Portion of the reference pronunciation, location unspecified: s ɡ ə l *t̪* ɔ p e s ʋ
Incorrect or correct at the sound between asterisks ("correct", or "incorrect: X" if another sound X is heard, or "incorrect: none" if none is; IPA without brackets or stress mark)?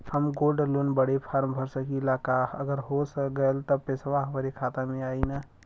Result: correct